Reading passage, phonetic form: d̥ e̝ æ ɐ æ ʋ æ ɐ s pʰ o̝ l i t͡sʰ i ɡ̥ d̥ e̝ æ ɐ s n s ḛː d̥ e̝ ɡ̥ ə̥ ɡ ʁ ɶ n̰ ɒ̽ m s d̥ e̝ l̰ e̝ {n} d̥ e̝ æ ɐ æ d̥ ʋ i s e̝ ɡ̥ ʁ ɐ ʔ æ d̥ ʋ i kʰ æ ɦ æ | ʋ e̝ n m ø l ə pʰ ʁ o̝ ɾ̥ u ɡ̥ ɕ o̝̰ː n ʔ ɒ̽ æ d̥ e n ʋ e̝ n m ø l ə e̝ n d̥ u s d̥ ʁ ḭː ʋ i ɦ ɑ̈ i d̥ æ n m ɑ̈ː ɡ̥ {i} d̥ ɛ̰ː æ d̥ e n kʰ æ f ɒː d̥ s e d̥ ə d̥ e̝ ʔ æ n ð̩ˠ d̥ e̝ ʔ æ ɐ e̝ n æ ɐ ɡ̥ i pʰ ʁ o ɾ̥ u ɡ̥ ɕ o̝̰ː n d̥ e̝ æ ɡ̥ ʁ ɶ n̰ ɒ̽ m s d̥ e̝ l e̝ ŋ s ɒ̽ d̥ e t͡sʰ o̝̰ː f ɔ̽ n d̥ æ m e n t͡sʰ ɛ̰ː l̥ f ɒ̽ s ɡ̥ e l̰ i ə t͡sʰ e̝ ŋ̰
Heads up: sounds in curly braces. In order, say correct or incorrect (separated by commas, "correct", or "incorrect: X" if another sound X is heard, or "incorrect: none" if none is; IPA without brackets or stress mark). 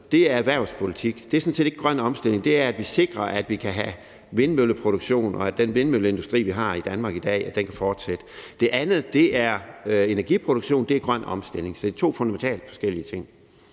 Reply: incorrect: ŋ, correct